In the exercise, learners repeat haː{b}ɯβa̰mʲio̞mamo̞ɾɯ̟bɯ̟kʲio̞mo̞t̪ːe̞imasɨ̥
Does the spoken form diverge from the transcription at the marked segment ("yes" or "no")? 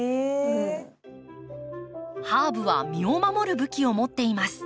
no